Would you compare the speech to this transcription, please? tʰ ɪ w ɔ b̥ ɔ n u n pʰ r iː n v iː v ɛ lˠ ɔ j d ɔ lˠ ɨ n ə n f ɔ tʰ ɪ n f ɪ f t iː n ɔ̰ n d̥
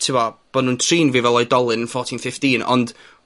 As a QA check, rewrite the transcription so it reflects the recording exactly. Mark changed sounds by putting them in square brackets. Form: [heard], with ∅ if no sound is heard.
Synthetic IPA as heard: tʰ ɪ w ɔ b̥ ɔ n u n [tʰ] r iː n v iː v ɛ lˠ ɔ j d ɔ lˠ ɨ n ə n f ɔ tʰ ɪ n f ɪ f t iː n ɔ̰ n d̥